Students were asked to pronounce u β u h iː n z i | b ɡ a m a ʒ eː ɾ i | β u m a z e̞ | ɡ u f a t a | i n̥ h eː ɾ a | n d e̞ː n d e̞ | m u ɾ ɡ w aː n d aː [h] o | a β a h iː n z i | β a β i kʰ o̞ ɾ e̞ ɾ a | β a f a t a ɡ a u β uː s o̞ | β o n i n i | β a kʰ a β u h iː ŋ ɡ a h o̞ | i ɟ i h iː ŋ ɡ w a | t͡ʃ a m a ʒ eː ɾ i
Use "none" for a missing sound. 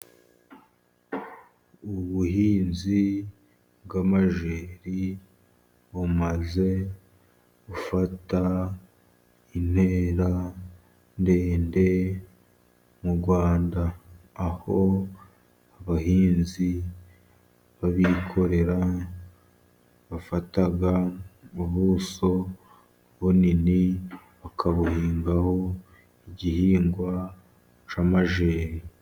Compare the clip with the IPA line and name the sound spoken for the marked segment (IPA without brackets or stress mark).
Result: h